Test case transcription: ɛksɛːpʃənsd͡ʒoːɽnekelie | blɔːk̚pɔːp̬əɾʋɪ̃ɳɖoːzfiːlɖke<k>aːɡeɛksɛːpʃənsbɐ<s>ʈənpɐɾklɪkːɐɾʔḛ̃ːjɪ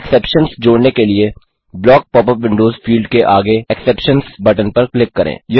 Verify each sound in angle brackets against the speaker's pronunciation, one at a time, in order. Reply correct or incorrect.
incorrect: ʔ, incorrect: none

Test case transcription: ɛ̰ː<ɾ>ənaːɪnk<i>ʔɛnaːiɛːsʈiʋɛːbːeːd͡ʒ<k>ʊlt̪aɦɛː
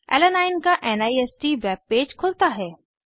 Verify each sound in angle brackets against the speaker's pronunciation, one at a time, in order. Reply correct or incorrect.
incorrect: l, incorrect: a, incorrect: kʰ

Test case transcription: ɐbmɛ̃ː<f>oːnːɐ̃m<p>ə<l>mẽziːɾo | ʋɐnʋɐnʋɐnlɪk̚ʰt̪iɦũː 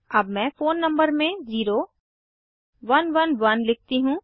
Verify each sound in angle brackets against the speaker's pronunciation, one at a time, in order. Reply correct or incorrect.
correct, incorrect: b, incorrect: ɾ

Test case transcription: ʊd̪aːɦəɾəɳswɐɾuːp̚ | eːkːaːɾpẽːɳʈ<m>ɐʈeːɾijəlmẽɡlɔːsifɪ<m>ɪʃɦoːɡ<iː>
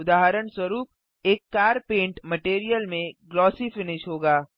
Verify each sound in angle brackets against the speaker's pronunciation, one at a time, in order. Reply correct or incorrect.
correct, incorrect: n, incorrect: aː

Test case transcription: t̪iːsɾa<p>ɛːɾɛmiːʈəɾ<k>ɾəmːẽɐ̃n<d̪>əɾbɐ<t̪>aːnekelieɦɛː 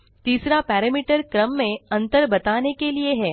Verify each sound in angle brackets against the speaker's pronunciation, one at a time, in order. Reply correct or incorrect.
correct, correct, incorrect: t̪, correct

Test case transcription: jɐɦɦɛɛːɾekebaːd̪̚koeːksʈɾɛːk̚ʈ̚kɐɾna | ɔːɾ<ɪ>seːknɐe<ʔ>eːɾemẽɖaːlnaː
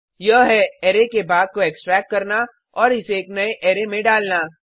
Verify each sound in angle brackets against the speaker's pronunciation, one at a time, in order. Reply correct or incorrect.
correct, correct

